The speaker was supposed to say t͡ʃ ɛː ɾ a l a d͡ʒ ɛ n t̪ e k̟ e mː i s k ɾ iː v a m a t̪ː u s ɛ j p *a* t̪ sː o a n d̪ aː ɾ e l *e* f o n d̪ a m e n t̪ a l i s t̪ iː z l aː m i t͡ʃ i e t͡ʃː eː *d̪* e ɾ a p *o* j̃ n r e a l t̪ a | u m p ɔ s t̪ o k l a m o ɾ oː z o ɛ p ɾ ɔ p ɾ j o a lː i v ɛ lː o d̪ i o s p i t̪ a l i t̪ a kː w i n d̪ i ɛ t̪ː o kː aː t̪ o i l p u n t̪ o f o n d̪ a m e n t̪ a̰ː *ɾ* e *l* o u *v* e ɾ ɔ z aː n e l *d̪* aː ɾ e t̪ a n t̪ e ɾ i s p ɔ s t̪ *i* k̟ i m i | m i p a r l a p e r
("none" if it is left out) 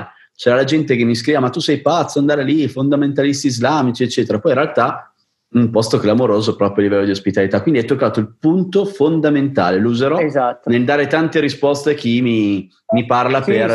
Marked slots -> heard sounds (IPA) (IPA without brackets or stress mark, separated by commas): a, i, t̪, ɔ, l, l, z, d̪, e